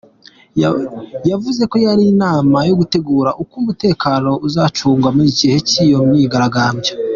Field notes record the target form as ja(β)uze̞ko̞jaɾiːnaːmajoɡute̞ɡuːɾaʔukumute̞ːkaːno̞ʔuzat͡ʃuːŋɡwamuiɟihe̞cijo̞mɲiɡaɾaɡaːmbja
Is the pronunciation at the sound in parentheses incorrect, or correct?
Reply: incorrect